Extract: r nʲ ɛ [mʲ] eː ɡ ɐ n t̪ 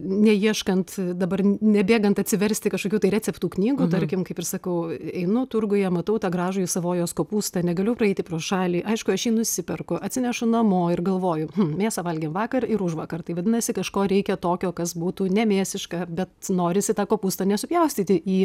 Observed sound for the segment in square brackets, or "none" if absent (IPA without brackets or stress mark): bʲ